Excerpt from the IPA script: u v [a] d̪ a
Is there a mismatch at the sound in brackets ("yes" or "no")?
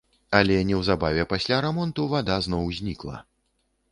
no